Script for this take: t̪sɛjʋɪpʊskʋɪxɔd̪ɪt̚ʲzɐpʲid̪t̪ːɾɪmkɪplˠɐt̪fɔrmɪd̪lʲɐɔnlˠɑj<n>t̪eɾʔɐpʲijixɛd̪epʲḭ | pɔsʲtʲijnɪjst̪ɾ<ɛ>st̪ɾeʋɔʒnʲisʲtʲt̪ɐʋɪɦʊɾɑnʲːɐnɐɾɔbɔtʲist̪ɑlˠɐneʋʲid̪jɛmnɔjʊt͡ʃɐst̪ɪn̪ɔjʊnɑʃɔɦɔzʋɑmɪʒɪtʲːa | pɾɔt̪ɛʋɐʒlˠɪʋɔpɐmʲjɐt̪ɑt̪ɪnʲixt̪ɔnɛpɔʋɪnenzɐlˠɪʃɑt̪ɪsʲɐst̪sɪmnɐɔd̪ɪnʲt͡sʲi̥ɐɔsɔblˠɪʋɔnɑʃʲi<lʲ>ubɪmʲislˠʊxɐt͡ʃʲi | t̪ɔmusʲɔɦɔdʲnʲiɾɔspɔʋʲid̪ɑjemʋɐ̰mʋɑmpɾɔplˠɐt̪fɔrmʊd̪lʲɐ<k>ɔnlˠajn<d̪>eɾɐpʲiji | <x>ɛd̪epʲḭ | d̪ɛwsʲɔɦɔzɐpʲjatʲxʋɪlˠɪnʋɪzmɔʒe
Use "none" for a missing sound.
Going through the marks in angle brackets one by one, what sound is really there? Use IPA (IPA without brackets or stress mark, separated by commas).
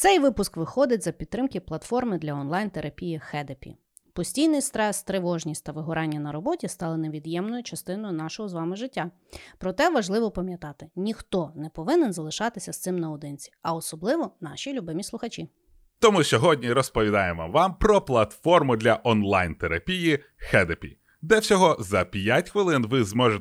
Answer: n, ɛ, lʲ, ʔ, t̪, x